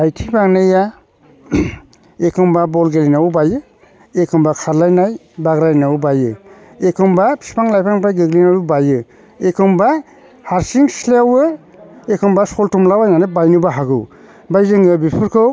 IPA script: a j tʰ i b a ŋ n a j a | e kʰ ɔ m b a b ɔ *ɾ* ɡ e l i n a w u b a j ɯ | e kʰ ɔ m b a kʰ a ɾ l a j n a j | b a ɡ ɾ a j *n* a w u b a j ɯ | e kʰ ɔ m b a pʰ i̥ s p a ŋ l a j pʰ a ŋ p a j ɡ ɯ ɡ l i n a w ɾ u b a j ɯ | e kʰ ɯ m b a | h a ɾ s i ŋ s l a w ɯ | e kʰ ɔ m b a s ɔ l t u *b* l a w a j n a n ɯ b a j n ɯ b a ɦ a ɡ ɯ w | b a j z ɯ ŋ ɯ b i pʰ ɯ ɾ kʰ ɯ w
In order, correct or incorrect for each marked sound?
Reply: incorrect, correct, incorrect

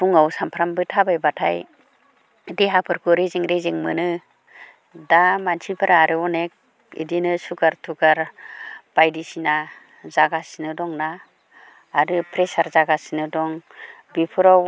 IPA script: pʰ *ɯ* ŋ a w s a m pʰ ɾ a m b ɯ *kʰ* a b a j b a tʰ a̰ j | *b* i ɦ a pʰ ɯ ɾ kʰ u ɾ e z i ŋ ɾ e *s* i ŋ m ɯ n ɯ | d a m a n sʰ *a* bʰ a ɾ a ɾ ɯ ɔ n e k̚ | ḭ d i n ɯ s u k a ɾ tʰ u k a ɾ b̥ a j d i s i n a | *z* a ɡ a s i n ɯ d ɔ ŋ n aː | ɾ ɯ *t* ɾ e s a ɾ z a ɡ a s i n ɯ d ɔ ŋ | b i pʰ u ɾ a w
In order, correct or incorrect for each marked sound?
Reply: incorrect, incorrect, incorrect, incorrect, incorrect, correct, incorrect

